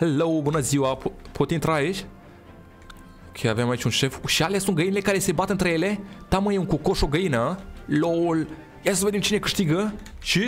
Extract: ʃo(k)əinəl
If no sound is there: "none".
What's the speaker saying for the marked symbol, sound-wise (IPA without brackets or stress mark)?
ɡ